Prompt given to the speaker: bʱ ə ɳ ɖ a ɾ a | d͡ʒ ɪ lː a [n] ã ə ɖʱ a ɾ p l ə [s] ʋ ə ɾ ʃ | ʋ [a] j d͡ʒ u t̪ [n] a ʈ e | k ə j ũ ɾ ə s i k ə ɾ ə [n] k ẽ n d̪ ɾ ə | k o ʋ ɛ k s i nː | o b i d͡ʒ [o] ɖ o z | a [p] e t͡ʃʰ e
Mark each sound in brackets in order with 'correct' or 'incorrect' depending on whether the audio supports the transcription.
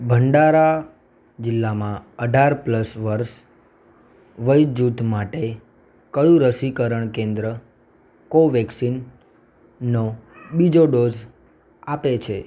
incorrect, correct, incorrect, incorrect, incorrect, correct, correct

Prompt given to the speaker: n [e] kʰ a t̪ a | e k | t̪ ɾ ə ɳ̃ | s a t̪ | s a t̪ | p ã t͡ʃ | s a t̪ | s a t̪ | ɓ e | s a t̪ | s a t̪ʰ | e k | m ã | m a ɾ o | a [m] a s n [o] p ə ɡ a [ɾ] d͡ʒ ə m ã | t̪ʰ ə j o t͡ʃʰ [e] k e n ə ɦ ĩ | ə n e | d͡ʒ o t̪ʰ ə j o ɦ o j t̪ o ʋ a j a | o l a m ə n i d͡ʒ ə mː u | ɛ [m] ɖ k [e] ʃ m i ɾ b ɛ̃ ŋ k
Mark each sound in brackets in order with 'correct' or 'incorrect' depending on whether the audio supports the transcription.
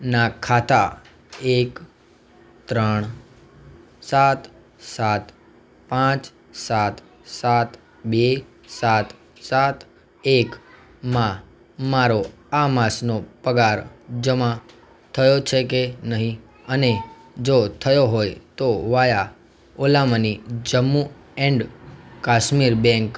incorrect, correct, correct, correct, correct, incorrect, incorrect

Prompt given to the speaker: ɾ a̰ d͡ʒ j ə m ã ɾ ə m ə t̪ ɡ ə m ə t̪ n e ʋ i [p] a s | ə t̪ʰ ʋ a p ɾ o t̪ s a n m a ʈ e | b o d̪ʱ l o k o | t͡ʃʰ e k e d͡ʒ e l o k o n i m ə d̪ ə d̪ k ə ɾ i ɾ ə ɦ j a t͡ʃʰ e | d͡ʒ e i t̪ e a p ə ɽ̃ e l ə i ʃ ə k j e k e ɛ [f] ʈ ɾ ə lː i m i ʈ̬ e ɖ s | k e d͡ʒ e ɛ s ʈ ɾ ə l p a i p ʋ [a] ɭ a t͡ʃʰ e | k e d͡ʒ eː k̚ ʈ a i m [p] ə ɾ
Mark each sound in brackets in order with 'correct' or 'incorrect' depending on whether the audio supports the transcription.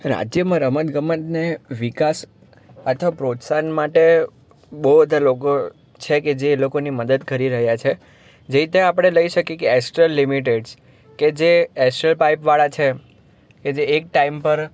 incorrect, incorrect, correct, correct

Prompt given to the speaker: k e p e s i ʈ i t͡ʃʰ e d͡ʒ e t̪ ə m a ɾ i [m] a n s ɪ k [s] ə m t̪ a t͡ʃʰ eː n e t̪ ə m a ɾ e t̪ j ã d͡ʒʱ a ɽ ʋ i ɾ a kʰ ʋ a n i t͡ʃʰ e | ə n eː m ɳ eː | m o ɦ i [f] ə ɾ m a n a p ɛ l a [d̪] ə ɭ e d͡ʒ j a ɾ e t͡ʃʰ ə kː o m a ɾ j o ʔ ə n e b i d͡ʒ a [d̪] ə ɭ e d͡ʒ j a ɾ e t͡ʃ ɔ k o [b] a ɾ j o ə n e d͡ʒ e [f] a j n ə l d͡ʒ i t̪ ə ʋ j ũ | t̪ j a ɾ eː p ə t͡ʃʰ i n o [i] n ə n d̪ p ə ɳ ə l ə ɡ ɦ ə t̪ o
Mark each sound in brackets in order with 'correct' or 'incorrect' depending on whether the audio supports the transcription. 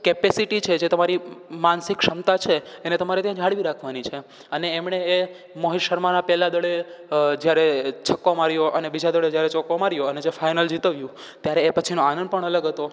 correct, incorrect, incorrect, correct, correct, incorrect, correct, incorrect

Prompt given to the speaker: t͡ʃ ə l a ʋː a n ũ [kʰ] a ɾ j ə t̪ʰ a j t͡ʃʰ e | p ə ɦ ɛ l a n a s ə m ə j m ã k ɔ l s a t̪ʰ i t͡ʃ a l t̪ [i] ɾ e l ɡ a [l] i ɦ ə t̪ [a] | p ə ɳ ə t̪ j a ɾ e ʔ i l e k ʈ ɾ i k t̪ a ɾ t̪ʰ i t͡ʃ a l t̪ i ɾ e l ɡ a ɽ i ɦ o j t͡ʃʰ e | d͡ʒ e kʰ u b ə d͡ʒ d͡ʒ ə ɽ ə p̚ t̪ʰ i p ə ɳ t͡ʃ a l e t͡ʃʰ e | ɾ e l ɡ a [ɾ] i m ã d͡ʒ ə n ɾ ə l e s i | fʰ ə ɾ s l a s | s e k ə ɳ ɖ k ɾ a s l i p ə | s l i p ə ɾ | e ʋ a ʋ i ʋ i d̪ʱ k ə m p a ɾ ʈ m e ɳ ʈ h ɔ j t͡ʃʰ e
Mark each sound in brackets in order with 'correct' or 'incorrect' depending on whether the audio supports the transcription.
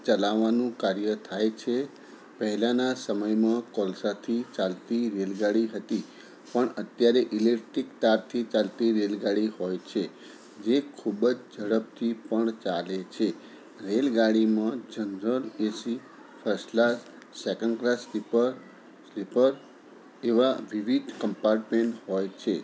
incorrect, correct, incorrect, incorrect, incorrect

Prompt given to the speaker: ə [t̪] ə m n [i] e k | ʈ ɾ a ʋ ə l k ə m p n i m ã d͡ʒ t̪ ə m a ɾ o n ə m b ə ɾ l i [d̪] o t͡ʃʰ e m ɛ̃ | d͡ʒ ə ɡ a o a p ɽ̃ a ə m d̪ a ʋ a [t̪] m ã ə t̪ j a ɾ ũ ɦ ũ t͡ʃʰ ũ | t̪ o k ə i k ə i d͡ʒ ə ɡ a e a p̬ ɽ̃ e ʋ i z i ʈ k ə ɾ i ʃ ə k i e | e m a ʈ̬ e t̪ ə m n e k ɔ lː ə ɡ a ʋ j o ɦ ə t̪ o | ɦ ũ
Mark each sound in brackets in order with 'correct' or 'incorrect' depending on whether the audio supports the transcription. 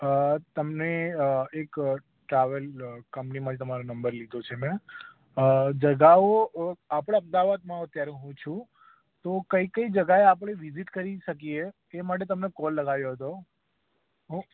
correct, incorrect, correct, incorrect

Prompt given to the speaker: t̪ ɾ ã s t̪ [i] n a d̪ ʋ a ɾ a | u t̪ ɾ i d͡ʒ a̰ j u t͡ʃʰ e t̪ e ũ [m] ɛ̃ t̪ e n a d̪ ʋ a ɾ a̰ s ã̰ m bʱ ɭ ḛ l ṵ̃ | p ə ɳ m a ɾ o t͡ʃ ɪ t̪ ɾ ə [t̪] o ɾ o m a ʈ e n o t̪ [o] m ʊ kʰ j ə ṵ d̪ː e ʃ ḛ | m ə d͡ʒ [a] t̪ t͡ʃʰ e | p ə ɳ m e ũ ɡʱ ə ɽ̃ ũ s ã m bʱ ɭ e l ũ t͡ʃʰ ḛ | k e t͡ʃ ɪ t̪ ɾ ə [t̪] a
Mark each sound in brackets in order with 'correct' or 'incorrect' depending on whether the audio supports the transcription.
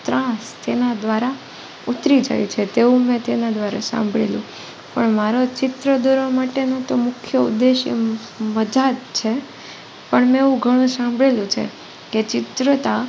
incorrect, correct, incorrect, correct, correct, correct

